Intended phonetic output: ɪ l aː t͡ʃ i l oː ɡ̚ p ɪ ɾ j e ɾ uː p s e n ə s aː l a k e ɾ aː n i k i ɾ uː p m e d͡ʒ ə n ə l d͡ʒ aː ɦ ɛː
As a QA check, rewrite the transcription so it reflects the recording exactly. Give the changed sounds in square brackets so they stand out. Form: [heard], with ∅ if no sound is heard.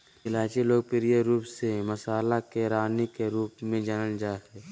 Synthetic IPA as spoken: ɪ l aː t͡ʃ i l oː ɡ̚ p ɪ ɾ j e ɾ uː p s e [m] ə s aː l a k e ɾ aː n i k [e] ɾ uː p m [ẽ] d͡ʒ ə n ə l d͡ʒ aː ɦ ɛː